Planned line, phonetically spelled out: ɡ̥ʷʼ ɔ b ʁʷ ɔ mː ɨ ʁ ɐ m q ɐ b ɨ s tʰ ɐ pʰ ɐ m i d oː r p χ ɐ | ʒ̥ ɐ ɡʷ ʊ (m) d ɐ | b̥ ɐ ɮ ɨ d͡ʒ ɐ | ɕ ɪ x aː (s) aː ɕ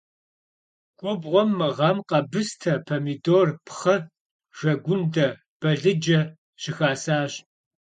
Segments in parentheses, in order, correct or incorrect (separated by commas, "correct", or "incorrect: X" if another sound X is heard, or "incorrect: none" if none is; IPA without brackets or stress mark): incorrect: n, correct